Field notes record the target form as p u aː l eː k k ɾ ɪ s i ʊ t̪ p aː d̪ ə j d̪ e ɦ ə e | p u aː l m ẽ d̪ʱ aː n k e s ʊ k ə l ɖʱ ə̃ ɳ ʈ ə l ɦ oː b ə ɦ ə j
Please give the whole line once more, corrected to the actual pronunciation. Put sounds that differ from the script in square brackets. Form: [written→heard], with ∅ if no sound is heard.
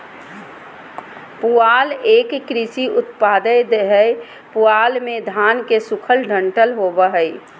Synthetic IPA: p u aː l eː k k ɾ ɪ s i ʊ t̪ p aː d̪ ə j d̪ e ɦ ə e | p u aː l m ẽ d̪ʱ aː n k e s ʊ [k→kʰ] ə l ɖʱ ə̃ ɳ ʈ ə l ɦ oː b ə ɦ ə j